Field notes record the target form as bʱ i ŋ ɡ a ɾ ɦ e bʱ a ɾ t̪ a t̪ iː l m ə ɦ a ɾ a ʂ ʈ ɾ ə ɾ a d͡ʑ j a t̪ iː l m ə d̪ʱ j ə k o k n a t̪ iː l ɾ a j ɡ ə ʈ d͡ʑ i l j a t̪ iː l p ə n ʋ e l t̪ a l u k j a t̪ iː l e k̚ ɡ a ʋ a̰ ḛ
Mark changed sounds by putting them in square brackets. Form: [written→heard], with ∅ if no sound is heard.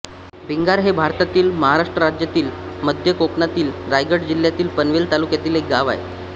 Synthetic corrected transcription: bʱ i ŋ ɡ a ɾ ɦ e bʱ a ɾ t̪ a t̪ iː l m ə ɦ a ɾ a ʂ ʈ ɾ ə ɾ a d͡ʑ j a t̪ iː l m ə d̪ʱ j ə k o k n a t̪ iː l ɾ a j ɡ ə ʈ d͡ʑ i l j a t̪ iː l p ə n ʋ e l t̪ a l u k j a t̪ iː l e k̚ ɡ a ʋ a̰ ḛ